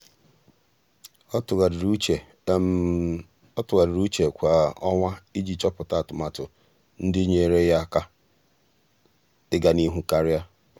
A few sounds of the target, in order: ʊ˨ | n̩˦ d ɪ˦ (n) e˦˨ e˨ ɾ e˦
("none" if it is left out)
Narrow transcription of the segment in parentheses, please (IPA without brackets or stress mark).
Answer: ɲ